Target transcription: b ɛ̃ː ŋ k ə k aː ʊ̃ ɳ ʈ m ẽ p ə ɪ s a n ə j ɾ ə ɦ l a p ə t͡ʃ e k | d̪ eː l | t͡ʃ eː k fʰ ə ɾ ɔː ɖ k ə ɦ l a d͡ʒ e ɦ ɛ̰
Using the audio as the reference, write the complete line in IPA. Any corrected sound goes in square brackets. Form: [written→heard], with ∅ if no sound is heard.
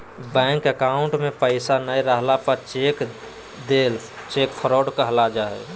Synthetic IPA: b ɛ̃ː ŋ k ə k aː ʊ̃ ɳ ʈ m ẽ p ə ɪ s a n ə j ɾ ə ɦ l a p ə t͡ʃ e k | d̪ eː l | t͡ʃ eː k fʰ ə ɾ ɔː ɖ k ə ɦ l a d͡ʒ [e→a] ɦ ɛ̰